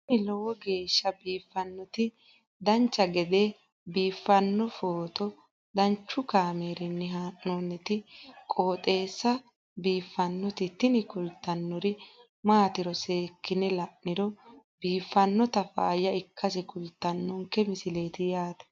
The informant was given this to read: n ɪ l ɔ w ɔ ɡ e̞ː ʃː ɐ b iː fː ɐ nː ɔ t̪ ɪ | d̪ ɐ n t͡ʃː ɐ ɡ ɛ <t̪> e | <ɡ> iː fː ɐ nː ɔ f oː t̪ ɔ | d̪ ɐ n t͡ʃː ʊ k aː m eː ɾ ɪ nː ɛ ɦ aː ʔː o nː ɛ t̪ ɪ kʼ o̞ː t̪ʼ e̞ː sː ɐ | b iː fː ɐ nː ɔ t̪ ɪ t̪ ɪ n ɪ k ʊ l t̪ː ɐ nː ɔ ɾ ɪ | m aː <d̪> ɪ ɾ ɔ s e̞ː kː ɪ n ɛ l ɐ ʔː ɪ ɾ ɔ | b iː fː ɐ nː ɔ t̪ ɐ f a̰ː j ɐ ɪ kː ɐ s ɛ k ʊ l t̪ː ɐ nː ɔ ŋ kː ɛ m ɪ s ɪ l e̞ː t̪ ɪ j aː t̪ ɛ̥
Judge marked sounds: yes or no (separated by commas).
no, no, no